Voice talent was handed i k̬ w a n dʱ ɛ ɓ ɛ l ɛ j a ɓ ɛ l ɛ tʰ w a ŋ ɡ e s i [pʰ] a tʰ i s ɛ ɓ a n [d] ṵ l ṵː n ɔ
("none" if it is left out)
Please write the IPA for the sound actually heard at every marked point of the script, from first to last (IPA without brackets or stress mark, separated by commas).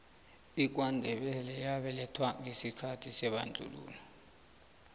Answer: kʰ, d͡ɮʱ